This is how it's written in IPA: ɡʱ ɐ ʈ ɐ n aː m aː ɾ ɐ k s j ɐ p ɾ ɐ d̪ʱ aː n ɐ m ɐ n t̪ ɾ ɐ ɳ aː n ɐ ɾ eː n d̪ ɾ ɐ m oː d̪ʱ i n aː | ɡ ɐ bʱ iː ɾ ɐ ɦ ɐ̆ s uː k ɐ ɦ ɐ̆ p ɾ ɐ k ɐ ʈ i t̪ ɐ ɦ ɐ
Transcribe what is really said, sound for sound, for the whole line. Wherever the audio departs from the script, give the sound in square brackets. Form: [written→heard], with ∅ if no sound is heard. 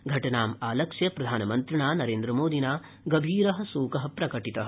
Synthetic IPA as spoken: ɡʱ ɐ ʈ ɐ n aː m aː [ɾ→l] ɐ k [s→ʂ] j ɐ p ɾ ɐ d̪ʱ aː n ɐ m ɐ n t̪ ɾ ɐ ɳ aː n ɐ ɾ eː n d̪ ɾ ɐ m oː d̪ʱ i n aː | ɡ ɐ bʱ iː ɾ ɐ ɦ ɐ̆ s uː k ɐ ɦ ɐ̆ p ɾ ɐ k ɐ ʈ i t̪ ɐ ɦ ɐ